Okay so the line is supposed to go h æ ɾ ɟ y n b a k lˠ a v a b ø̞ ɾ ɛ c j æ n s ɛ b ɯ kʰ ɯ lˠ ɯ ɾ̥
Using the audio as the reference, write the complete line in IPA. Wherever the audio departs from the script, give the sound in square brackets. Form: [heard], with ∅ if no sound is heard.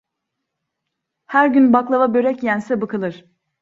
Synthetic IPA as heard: h æ ɾ ɟ y n b a k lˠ a v a b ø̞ ɾ ɛ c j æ n s ɛ b ɯ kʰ ɯ lˠ ɯ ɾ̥